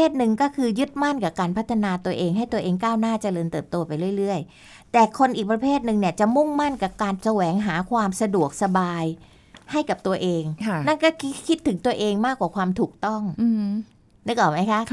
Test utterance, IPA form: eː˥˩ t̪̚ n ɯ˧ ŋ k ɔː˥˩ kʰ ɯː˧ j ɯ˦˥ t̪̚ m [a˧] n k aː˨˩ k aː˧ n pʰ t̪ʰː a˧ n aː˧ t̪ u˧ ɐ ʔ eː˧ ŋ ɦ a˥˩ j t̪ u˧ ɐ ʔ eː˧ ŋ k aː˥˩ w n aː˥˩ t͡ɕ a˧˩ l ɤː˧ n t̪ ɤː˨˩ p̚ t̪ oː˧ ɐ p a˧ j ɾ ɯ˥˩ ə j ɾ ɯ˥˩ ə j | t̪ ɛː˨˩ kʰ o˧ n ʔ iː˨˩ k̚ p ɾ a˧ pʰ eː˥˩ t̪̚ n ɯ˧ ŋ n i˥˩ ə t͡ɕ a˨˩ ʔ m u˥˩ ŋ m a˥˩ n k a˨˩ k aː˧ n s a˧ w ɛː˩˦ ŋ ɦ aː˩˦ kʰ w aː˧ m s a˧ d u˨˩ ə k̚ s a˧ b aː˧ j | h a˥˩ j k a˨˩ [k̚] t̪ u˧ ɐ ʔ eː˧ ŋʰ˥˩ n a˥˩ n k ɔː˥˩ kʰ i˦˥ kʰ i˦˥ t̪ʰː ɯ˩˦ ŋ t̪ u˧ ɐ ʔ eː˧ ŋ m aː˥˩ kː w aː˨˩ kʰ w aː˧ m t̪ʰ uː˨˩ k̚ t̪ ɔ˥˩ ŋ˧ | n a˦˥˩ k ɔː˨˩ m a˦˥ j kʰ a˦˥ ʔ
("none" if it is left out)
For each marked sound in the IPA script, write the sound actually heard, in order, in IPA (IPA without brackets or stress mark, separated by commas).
a˥˩, p̚